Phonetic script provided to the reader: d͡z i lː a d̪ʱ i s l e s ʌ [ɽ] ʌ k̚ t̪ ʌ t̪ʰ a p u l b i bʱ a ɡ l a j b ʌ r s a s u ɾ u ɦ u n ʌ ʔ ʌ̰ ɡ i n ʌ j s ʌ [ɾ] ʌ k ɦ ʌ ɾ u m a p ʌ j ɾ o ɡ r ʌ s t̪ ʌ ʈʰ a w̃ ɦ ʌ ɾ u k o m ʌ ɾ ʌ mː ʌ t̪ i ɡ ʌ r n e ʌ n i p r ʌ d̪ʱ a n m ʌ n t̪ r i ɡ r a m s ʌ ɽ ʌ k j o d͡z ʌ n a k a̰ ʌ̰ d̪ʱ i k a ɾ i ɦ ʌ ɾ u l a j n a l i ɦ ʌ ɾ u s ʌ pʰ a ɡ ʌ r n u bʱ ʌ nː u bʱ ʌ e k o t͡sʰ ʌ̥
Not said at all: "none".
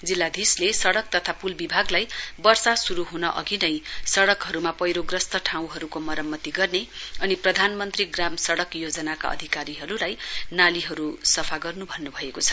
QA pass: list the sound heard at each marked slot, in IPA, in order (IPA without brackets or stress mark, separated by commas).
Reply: ɽ, ɽ